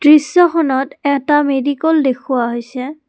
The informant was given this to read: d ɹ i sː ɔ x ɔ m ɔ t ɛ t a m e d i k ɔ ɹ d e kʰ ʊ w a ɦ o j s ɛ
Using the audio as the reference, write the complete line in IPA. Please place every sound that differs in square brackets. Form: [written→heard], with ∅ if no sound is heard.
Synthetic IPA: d ɹ i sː ɔ x ɔ [m→n] ɔ t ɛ t a m e d i k ɔ [ɹ→l] d e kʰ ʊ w a ɦ o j s ɛ